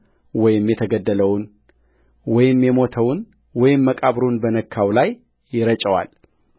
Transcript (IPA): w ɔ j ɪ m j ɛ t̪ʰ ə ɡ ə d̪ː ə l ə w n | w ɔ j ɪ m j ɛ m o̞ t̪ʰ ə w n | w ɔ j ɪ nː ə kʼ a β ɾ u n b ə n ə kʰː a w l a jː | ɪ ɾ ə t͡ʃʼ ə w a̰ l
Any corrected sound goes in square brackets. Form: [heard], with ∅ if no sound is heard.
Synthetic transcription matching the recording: w ɔ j ɪ m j ɛ t̪ʰ ə ɡ ə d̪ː ə l ə w n | w ɔ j ɪ m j ɛ m o̞ t̪ʰ ə w n | w ɔ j ɪ [mː] ə kʼ a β ɾ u n b ə n ə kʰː a w l a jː | ɪ ɾ ə t͡ʃʼ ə w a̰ l